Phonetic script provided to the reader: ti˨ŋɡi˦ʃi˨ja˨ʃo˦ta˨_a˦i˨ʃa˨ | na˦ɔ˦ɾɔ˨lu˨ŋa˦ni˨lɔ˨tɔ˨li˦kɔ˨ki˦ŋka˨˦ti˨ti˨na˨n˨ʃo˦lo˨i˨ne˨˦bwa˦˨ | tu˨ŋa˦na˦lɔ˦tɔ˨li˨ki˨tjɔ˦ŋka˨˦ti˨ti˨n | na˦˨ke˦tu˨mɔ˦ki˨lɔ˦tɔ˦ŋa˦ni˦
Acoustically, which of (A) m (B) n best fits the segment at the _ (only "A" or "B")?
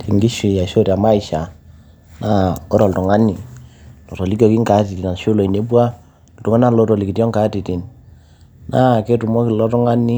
A